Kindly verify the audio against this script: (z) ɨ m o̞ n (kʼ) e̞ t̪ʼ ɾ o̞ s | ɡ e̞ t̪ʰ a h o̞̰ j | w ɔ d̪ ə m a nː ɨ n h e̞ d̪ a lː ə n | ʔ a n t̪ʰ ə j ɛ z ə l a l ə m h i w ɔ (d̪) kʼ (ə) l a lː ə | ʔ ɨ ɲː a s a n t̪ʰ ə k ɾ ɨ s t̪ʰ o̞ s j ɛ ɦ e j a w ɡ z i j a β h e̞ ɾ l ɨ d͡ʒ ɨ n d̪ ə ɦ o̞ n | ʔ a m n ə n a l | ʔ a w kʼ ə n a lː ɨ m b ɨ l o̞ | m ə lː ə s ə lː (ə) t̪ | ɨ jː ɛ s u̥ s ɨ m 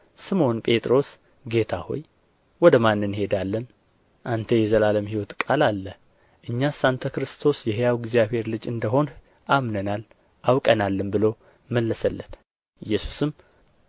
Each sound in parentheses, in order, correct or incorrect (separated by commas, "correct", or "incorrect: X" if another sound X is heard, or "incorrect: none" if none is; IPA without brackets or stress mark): incorrect: s, incorrect: pʼ, incorrect: t̪, incorrect: a, correct